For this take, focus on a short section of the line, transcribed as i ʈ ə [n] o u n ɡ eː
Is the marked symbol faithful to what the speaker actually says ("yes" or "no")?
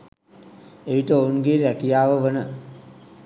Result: no